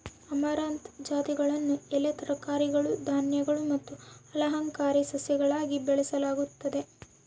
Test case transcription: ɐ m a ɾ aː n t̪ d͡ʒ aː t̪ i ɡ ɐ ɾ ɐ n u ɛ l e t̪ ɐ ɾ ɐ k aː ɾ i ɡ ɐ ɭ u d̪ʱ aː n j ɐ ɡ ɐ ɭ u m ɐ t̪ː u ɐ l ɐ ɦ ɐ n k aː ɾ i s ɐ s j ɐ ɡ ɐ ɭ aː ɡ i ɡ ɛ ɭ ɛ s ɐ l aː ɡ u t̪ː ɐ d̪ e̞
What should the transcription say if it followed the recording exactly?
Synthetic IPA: ɐ m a ɾ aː n t̪ d͡ʒ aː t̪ i ɡ ɐ ɭ ɐ nː u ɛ l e t̪ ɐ ɾ ɐ k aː ɾ i ɡ ɐ ɭ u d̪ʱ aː n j ɐ ɡ ɐ ɭ u m ɐ t̪ː u ɐ l ɐ ɦ ɐ ŋ k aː ɾ i s ɐ s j ɐ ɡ ɐ ɭ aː ɡ i b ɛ ɭ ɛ s ɐ l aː ɡ u t̪ː ɐ d̪ e̞